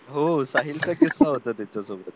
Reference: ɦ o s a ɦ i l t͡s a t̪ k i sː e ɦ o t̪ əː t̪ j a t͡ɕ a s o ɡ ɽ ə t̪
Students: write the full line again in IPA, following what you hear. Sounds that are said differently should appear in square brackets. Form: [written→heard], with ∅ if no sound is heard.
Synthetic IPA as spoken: ɦ o s a ɦ i l t͡s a [t̪→∅] k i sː [e→a] ɦ o t̪ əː t̪ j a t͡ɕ a s o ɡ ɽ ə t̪

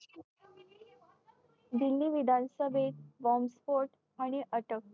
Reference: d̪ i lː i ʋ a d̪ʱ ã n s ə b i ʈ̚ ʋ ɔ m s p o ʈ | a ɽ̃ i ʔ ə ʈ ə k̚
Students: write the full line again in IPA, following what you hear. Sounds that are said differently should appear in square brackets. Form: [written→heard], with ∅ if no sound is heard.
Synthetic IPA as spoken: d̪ i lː i ʋ [a→i] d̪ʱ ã n s ə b [i→e] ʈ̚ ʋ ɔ m s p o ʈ | a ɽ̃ i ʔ ə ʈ ə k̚

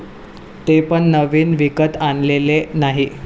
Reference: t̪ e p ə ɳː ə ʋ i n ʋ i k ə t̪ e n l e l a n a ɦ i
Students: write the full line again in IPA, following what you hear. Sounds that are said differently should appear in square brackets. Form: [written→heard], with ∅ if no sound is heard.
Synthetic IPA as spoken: t̪ e p ə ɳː ə ʋ [i→iː] n ʋ i k ə t̪ [e→a] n l e l [a→e] n a ɦ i

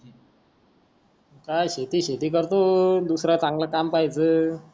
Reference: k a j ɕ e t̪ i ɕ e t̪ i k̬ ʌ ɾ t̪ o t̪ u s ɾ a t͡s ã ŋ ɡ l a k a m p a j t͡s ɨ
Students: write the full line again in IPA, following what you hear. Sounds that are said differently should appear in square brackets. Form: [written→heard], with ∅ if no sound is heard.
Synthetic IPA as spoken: k a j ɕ e t̪ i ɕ e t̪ i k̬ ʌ ɾ t̪ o [t̪→d̪] u s ɾ a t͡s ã ŋ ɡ l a k a m p a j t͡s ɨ

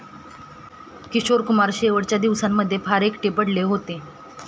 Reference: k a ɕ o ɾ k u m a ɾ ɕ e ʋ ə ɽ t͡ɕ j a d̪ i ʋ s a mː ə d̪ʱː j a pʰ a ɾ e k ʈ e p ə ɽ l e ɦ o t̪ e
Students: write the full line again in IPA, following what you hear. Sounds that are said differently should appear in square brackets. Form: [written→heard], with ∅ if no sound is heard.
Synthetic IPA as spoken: k [a→i] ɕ o ɾ k u m a ɾ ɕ e ʋ ə ɽ t͡ɕ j a d̪ i ʋ s a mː ə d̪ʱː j [a→e] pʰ a ɾ e k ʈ e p ə ɽ l e ɦ o t̪ e

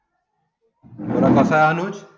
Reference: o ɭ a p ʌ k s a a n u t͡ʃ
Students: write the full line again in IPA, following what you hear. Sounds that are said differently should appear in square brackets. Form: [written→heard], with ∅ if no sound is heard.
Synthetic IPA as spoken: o [ɭ→ɾ] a [p→k] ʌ [k→∅] s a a n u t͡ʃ

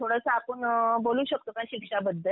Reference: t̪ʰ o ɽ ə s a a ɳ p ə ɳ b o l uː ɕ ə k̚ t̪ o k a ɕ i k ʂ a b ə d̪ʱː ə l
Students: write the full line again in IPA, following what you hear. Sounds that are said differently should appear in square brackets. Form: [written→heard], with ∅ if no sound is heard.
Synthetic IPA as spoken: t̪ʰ o ɽ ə s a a [ɳ→∅] p ə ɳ b o l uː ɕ ə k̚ t̪ o k a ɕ i k ʂ a b ə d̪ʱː ə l

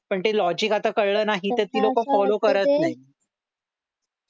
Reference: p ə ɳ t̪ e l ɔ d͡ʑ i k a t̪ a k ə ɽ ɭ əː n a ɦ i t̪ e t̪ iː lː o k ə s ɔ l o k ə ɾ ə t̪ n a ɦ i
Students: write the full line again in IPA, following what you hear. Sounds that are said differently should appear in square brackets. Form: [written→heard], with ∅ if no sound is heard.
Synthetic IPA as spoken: p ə ɳ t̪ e l ɔ d͡ʑ i k a t̪ a k ə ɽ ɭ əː n a ɦ i t̪ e t̪ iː [lː→l] o k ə [s→f] ɔ l o k ə ɾ ə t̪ n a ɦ i

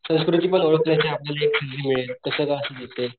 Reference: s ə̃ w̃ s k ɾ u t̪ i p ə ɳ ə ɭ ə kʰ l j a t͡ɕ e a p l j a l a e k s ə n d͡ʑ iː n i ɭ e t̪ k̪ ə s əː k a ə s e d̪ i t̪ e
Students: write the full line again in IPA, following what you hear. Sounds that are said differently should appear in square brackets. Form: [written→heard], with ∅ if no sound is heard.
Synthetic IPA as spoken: s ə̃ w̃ s k ɾ u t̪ i p ə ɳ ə ɭ ə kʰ l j a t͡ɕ e a p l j a l a e k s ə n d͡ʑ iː [n→m] i ɭ e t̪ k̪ ə s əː k a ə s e d̪ i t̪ e

